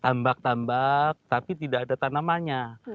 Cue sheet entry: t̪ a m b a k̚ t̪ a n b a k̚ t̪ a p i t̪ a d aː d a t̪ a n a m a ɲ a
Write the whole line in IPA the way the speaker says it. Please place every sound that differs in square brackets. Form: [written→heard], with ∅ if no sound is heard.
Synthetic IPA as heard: t̪ a m b a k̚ t̪ a [n→m] b a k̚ t̪ a p i t̪ [a→i] d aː d a t̪ a n a m a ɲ a

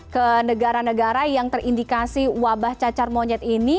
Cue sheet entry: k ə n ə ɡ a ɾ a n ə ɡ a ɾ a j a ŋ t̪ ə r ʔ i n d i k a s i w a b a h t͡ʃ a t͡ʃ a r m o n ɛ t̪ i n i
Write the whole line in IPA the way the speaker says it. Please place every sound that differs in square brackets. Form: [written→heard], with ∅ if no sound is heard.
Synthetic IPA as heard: k ə n ə ɡ a ɾ a n ə ɡ a ɾ a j a ŋ t̪ ə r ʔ i n d i k a s i w a b a h t͡ʃ a t͡ʃ a r m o [n→ɲ] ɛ t̪ i n i

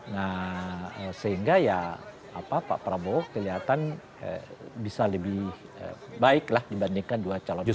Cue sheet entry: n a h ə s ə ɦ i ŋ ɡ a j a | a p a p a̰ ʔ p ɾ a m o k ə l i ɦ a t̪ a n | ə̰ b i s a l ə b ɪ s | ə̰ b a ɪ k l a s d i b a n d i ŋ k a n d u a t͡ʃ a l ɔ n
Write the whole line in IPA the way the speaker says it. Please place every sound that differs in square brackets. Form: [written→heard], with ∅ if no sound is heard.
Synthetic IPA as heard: n a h ə s ə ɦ i ŋ ɡ a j a | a p a p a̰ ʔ p ɾ a [m→b] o k ə l i ɦ a t̪ a n | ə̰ b i s a l ə b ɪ [s→h] | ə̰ b a ɪ k l a [s→h] d i b a n d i ŋ k a n d u a t͡ʃ a l ɔ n

